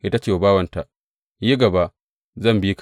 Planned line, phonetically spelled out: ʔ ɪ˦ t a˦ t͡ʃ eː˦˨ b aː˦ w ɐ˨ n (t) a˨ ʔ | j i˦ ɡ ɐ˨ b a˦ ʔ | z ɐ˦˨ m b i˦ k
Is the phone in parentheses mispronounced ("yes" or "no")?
no